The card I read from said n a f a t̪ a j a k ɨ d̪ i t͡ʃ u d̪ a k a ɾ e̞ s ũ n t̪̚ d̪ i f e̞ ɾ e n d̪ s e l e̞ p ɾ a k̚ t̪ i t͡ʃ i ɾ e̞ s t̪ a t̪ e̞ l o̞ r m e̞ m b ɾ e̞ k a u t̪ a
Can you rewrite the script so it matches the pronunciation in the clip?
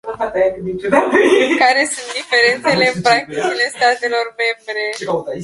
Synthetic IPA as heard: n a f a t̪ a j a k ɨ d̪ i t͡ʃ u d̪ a k a ɾ e̞ s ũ n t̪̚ d̪ i f e̞ ɾ e n t̪ s e l e̞ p ɾ a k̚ t̪ i t͡ʃ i l e̞ s t̪ a t̪ e̞ l o̞ r m e̞ m b ɾ e̞ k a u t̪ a